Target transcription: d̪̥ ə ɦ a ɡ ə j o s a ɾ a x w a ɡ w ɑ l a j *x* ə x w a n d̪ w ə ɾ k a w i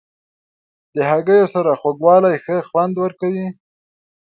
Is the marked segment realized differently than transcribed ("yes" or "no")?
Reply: no